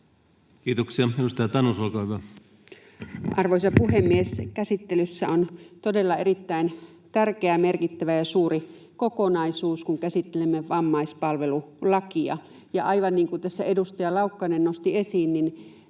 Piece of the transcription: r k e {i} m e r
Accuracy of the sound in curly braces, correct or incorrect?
incorrect